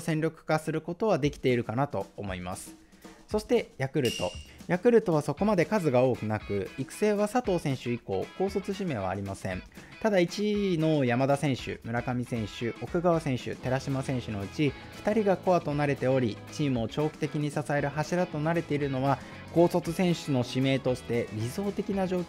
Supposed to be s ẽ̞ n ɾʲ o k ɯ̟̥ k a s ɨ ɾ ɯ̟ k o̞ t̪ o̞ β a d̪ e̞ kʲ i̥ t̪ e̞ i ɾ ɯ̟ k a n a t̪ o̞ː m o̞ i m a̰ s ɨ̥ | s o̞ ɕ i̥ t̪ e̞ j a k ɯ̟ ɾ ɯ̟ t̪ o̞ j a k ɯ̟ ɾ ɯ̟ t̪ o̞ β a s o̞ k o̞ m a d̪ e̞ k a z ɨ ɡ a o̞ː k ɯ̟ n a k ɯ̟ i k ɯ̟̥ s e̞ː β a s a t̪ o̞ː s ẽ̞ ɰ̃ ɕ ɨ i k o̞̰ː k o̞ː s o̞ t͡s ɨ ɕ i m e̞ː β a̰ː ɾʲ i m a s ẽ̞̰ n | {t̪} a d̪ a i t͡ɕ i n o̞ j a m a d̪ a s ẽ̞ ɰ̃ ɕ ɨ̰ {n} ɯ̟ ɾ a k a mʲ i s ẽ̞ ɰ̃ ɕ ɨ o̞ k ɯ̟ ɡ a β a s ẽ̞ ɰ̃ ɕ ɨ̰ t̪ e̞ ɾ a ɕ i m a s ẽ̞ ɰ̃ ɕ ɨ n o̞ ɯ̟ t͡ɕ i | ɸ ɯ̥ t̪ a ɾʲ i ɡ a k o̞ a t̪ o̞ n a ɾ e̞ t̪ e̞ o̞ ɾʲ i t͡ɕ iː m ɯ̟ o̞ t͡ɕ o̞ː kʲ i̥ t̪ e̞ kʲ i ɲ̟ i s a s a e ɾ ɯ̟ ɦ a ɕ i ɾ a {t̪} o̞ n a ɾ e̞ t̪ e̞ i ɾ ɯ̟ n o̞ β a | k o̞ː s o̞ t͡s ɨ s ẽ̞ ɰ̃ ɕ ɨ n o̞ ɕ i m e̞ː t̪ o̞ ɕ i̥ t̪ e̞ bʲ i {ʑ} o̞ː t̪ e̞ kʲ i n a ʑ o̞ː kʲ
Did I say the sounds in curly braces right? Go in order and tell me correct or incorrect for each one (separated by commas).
correct, incorrect, correct, incorrect